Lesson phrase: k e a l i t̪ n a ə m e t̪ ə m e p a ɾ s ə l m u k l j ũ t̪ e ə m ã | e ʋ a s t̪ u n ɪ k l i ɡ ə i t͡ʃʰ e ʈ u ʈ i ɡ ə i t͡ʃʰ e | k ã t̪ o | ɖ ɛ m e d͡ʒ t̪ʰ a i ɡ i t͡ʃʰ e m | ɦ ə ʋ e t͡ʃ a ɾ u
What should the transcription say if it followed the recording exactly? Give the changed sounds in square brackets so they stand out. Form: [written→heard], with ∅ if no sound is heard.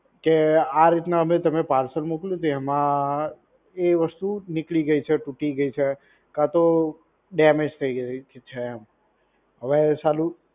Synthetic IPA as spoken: k e a [l→ɾ] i t̪ n a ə m e t̪ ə m e p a ɾ s ə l m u k l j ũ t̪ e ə m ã | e ʋ [a→ə] s t̪ u n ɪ k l i ɡ ə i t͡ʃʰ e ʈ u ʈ i ɡ ə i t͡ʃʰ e | k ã t̪ o | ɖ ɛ m e d͡ʒ t̪ʰ [a→ə] i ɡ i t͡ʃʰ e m | ɦ ə ʋ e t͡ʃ a [ɾ→l] u